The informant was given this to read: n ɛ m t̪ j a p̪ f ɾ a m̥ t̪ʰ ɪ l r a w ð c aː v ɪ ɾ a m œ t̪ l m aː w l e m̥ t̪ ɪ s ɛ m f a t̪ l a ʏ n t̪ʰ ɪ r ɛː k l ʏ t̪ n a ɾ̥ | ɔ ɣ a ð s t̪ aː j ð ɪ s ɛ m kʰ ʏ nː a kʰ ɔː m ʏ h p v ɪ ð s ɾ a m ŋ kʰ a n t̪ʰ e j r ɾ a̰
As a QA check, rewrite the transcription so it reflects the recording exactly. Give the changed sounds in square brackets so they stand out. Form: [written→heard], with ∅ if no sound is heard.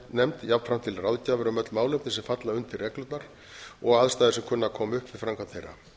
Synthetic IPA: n ɛ m t̪ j a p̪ f ɾ a m̥ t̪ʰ ɪ l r a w ð c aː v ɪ ɾ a m œ t̪ l m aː w l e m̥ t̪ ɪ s ɛ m f a t̪ l a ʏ n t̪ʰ ɪ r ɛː k l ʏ t̪ n a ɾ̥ | ɔ ɣ a ð s t̪ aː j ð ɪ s ɛ m kʰ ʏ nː a kʰ ɔː m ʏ h p v ɪ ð [s→f] ɾ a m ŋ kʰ a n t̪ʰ e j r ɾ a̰